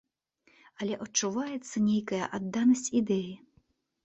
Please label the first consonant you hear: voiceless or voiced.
voiced